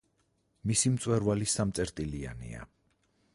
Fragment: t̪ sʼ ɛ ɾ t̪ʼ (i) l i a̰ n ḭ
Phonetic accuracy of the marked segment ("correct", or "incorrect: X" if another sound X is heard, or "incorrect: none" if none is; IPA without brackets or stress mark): correct